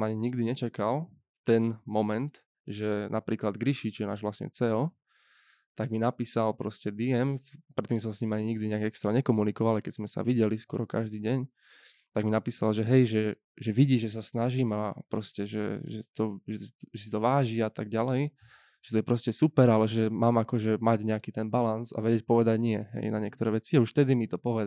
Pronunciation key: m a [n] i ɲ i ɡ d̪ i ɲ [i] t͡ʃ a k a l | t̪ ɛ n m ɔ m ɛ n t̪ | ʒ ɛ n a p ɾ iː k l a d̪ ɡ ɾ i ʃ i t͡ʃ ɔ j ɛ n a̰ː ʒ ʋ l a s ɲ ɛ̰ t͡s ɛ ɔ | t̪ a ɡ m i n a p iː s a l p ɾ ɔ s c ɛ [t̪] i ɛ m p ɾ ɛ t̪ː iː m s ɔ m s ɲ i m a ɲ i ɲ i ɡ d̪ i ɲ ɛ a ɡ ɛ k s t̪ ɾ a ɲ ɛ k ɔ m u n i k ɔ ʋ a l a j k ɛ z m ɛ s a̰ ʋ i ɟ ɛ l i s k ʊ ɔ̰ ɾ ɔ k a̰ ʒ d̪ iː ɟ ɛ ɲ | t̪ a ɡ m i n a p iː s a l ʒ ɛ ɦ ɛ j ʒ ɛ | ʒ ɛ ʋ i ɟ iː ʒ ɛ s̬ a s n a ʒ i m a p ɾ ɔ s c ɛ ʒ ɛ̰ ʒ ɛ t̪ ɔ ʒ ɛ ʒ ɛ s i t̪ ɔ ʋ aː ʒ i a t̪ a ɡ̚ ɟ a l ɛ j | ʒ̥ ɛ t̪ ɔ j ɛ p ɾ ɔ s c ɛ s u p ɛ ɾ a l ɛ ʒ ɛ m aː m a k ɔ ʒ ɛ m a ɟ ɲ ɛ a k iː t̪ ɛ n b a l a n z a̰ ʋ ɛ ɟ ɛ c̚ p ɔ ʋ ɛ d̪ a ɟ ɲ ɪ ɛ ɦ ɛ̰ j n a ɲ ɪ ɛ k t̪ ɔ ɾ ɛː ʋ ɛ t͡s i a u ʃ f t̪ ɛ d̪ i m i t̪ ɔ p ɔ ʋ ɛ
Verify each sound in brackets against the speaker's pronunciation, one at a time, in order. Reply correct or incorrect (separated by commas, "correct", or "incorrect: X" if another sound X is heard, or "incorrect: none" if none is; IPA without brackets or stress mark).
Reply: incorrect: ɲ, incorrect: ɛ, incorrect: d̪